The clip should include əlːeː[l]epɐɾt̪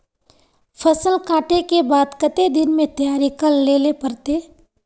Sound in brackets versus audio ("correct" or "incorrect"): correct